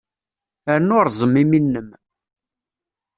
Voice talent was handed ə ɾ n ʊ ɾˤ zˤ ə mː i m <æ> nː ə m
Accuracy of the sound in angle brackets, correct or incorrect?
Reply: incorrect